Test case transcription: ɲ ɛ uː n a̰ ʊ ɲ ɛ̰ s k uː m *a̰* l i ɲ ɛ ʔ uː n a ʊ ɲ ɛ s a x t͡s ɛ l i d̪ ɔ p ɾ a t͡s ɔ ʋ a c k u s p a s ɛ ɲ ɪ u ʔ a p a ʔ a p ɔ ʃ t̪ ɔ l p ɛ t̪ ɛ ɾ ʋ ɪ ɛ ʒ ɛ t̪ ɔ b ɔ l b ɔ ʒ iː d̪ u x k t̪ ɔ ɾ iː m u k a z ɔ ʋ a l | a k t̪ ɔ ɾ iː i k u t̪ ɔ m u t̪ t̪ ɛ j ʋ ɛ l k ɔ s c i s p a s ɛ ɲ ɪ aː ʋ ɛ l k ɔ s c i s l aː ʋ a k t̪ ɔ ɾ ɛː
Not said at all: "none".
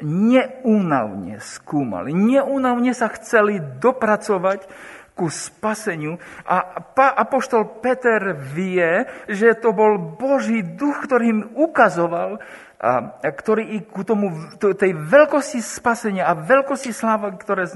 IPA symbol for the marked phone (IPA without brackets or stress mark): a̰